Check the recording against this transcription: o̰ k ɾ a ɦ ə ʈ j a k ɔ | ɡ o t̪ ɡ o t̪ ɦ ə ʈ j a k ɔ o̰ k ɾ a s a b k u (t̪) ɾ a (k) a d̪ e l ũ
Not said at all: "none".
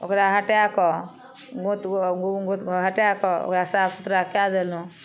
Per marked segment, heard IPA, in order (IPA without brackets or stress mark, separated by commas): t̪, k